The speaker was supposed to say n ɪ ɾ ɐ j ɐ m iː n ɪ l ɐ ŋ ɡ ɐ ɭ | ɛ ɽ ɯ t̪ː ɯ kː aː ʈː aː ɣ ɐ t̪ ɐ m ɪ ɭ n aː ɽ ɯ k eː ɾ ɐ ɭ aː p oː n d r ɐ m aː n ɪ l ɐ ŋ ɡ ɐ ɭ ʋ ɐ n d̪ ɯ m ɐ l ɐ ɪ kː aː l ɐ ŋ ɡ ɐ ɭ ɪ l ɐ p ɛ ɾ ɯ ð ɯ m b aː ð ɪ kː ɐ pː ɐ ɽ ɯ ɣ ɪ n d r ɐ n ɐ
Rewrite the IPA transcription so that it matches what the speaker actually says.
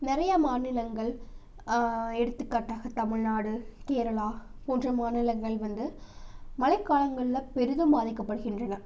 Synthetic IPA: n ɪ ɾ ɐ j ɐ m aː n ɪ l ɐ ŋ ɡ ɐ ɭ | ɛ ɽ ɯ t̪ː ɯ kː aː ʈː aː ɣ ɐ t̪ ɐ m ɪ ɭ n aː ɽ ɯ k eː ɾ ɐ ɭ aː p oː n d r ɐ m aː n ɪ l ɐ ŋ ɡ ɐ ɭ ʋ ɐ n d̪ ɯ m ɐ l ɐ ɪ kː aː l ɐ ŋ ɡ ɐ ɭ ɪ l ɐ p ɛ ɾ ɯ ð ɯ m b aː ð ɪ kː ɐ pː ɐ ɽ ɯ ɣ ɪ n d r ɐ n ɐ

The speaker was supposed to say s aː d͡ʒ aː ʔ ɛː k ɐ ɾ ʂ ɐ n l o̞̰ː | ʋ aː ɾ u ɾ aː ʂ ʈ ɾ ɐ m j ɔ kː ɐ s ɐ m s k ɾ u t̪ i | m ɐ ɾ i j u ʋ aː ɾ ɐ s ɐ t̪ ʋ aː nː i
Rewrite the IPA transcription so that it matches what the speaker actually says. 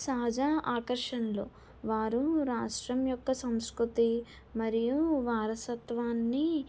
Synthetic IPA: s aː d͡ʒ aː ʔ aː k ɐ ɾ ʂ ɐ n l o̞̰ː | ʋ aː ɾ u ɾ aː ʂ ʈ ɾ ɐ m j ɔ kː ɐ s ɐ m s k ɾ u t̪ i | m ɐ ɾ i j u ʋ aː ɾ ɐ s ɐ t̪ ʋ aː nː i

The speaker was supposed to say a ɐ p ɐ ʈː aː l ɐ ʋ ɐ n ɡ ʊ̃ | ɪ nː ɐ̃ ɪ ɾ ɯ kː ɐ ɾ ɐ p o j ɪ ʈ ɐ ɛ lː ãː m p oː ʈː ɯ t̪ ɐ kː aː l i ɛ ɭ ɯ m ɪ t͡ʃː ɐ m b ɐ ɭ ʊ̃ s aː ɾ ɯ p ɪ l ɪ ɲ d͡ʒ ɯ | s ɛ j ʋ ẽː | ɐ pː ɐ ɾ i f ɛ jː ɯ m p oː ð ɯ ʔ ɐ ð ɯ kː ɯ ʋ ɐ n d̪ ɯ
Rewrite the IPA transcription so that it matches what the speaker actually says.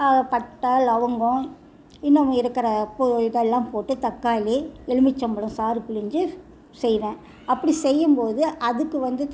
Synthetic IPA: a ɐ p ɐ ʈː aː l ɐ ʋ ɐ ŋ ɡ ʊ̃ | ɪ nː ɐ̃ ɪ ɾ ɯ kː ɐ ɾ ɐ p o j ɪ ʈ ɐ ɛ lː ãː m p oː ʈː ɯ t̪ ɐ kː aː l i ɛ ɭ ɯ m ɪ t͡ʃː ɐ m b ɐ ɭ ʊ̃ s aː ɾ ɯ p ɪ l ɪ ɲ d͡ʒ ɯ | s ɛ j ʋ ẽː | ɐ pː ɐ ɽ i s ɛ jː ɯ m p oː ð ɯ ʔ ɐ ð ɯ kː ɯ ʋ ɐ n d̪ ɯ

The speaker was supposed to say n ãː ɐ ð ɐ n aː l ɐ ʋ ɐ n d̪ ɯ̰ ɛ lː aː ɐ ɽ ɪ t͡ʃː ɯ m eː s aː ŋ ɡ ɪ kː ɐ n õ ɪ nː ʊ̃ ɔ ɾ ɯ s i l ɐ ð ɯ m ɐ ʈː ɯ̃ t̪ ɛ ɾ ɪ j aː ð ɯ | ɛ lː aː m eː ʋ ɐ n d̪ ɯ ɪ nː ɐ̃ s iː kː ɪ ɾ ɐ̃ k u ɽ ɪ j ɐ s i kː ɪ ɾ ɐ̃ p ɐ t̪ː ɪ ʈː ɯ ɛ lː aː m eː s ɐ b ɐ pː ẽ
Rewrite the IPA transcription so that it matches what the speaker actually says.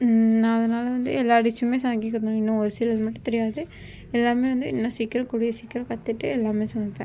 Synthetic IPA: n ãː ɐ ð ɐ n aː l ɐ ʋ ɐ n d̪ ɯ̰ ɛ lː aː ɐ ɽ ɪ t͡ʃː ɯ m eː s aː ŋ ɡ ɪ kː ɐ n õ ɪ nː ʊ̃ ɔ ɾ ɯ s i l ɐ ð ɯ m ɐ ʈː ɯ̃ t̪ ɛ ɾ ɪ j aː ð ɯ | ɛ lː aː m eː ʋ ɐ n d̪ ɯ ɪ nː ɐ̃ s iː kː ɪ ɾ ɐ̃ k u ɽ ɪ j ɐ s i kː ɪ ɾ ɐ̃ k ɐ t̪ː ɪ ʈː ɯ ɛ lː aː m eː s ɐ m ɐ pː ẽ

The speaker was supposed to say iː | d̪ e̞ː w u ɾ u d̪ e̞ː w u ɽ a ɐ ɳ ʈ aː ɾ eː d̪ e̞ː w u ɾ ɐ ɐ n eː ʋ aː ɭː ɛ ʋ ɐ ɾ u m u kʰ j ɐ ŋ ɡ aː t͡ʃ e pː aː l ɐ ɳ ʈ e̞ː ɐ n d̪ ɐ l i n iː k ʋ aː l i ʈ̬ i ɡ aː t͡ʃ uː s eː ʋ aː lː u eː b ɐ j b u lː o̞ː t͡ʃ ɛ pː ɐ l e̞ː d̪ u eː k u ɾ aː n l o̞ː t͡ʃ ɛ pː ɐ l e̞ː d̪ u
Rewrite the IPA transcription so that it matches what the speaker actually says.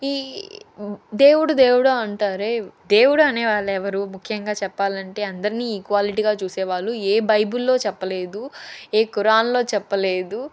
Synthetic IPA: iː | d̪ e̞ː w u ɽ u d̪ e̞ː w u ɽ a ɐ ɳ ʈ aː ɾ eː d̪ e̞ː w u ɽ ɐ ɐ n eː ʋ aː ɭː ɛ ʋ ɐ ɾ u m u kʰ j ɐ ŋ ɡ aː t͡ʃ ɛ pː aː l ɐ ɳ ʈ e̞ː ɐ n d̪ ɐ ɾ i n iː k ʋ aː l i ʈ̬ i ɡ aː t͡ʃ uː s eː ʋ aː ɭː u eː b ɐ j b u lː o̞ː t͡ʃ ɛ pː ɐ l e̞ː d̪ u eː k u ɾ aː n l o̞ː t͡ʃ ɛ pː ɐ l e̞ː d̪ u

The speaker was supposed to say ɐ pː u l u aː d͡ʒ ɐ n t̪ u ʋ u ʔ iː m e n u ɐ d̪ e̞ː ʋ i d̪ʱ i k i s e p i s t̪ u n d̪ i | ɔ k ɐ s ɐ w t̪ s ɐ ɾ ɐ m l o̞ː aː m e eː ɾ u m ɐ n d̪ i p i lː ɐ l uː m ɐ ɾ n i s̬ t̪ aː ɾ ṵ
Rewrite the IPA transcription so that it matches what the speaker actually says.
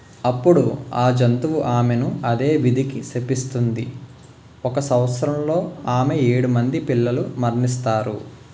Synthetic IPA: ɐ pː u ɽ u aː d͡ʒ ɐ n t̪ u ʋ u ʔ aː m e n u ɐ d̪ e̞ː ʋ i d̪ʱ i k i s e p i s t̪ u n d̪ i | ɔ k ɐ s ɐ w t̪ s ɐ ɾ ɐ m l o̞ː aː m e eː ɽ u m ɐ n d̪ i p i lː ɐ l u m ɐ ɾ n i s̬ t̪ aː ɾ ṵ

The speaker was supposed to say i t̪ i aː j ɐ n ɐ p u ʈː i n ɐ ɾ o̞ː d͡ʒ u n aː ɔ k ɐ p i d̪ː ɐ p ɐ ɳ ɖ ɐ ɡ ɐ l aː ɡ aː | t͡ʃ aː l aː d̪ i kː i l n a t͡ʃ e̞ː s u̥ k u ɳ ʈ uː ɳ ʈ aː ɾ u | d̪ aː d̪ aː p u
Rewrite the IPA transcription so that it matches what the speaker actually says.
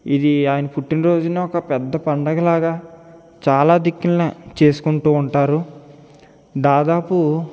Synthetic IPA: i d̪ i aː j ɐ n ɐ p u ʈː i n ɐ ɾ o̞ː d͡ʒ u n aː ɔ k ɐ p ɛ d̪ː ɐ p ɐ ɳ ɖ ɐ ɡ ɐ l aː ɡ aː | t͡ʃ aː l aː d̪ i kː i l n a t͡ʃ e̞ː s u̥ k u ɳ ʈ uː ɳ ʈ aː ɾ u | d̪ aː d̪ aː p u

